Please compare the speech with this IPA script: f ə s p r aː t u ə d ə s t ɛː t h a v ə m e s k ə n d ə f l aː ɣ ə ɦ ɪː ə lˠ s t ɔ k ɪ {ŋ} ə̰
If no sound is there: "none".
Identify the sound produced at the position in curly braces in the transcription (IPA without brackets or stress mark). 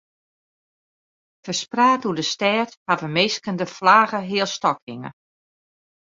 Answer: ŋ